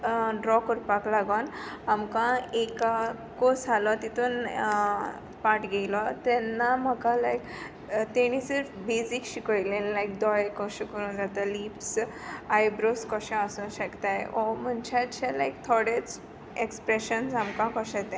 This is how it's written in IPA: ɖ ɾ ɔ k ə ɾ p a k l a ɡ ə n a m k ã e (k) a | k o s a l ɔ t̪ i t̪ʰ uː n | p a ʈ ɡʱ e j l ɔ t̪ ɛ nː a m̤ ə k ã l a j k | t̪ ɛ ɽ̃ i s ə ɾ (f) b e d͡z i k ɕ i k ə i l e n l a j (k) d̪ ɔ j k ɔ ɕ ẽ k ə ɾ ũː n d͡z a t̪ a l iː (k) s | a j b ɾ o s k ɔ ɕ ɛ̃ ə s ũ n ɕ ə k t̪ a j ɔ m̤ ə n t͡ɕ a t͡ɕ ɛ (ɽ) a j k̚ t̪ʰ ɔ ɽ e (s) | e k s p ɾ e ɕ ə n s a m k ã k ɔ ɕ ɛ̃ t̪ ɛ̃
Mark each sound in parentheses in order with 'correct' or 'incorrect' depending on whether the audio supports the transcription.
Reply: correct, correct, correct, incorrect, incorrect, incorrect

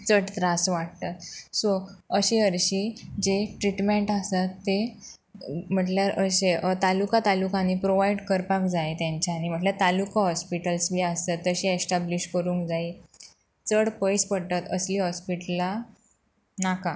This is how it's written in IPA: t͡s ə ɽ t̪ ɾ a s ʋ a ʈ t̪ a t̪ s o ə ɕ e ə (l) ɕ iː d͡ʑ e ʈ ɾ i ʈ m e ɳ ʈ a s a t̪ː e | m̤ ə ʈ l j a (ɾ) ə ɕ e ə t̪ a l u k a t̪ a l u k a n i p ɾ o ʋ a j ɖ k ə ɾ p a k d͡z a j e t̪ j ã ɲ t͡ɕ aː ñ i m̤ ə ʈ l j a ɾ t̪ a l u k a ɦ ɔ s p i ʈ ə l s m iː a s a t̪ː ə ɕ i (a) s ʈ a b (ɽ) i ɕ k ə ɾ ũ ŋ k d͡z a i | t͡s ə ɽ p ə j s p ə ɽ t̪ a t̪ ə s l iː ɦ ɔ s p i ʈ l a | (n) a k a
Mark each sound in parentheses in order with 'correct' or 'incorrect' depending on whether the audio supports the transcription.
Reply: incorrect, correct, incorrect, incorrect, correct

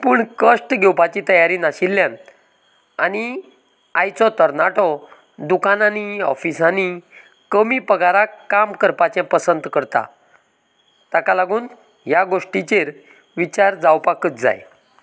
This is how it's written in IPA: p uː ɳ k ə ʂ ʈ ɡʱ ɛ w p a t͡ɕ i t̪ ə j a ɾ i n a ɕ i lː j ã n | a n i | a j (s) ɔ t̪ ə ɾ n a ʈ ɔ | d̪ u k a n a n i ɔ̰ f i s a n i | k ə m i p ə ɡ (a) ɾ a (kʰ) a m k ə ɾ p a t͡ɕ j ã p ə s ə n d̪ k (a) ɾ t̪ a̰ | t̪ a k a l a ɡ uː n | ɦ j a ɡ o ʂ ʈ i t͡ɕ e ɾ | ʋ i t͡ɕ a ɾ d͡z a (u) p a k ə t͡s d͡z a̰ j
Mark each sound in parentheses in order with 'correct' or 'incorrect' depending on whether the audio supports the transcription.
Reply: incorrect, correct, incorrect, incorrect, incorrect

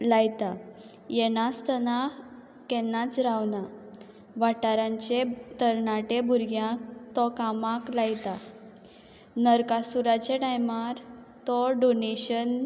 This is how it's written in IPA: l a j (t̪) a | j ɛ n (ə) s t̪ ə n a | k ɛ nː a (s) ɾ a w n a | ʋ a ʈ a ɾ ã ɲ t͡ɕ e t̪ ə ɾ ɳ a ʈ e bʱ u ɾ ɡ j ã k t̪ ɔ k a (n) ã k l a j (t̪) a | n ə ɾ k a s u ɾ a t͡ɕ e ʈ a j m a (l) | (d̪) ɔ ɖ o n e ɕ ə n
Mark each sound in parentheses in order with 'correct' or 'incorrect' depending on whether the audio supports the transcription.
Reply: correct, incorrect, incorrect, incorrect, correct, incorrect, incorrect

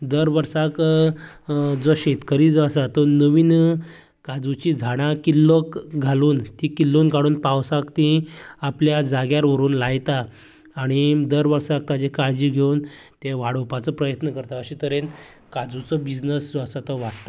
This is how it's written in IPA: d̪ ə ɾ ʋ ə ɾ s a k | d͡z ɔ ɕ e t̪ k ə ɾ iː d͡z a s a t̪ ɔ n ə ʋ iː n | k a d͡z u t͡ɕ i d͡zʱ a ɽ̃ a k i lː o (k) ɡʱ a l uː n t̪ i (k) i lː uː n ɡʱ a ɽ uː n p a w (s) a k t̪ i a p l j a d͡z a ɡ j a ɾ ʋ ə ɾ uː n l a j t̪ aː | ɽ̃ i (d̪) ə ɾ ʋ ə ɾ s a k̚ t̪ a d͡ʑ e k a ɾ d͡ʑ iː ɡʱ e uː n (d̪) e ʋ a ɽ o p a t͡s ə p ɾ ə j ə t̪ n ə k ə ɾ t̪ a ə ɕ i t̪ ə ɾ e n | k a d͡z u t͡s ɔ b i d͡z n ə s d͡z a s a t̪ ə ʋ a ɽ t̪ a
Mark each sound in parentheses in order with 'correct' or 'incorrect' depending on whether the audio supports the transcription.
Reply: correct, correct, correct, correct, incorrect

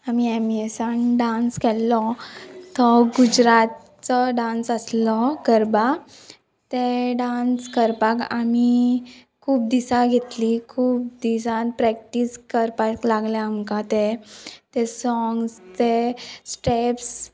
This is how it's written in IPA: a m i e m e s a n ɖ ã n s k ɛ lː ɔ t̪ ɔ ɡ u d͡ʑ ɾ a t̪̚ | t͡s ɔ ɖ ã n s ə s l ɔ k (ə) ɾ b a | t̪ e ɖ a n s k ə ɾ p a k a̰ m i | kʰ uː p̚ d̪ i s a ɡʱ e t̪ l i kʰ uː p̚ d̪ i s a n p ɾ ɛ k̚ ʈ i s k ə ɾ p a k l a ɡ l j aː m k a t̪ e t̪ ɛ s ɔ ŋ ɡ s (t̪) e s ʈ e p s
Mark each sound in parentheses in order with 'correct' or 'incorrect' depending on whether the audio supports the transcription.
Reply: correct, correct

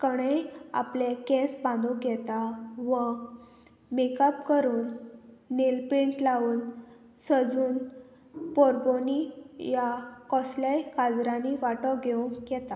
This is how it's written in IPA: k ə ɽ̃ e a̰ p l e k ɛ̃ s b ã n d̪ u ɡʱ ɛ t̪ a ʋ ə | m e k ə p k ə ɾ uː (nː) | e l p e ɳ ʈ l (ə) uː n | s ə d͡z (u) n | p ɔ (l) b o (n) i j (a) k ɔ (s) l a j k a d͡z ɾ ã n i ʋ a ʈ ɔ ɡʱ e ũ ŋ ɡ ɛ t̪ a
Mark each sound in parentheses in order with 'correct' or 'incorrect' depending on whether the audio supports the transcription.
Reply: correct, incorrect, incorrect, incorrect, correct, correct, correct

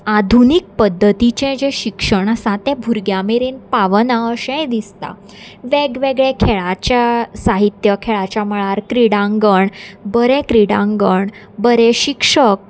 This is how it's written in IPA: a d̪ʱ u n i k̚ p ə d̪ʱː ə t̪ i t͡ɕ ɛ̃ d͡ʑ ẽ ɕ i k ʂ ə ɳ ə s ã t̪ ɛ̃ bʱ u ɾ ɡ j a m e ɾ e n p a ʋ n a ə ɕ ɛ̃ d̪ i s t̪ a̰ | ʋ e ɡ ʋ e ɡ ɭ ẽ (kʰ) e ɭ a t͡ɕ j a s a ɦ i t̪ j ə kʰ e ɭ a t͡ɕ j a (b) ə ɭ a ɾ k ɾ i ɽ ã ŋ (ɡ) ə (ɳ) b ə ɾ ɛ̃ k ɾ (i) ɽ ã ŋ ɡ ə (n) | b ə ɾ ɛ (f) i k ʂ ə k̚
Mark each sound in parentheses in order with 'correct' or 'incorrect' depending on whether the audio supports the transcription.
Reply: correct, incorrect, correct, correct, correct, incorrect, incorrect

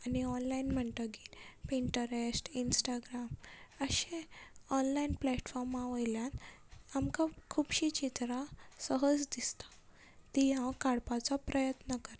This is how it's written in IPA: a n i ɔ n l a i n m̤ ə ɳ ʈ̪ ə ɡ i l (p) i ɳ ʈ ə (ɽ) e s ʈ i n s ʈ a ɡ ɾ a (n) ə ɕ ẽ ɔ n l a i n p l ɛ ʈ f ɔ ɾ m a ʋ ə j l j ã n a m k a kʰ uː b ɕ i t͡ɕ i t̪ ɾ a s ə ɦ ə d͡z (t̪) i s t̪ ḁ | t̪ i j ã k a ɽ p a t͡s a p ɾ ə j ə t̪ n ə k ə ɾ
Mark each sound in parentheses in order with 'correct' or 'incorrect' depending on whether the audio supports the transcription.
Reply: correct, incorrect, incorrect, incorrect

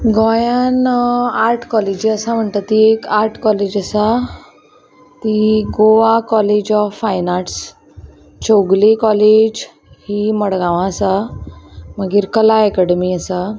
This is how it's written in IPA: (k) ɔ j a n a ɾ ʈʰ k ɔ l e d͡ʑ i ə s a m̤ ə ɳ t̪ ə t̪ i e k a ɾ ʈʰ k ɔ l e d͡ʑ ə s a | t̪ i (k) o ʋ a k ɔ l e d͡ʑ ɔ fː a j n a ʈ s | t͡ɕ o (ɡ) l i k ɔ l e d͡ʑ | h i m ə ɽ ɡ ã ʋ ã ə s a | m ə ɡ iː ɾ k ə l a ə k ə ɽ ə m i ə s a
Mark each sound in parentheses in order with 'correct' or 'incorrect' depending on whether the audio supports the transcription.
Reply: incorrect, incorrect, correct

